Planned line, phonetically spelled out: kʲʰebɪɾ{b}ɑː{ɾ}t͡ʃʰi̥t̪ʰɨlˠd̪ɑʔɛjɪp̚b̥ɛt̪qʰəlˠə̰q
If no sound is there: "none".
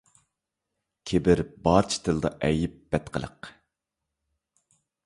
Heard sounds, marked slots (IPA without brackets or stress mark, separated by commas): b, ɾ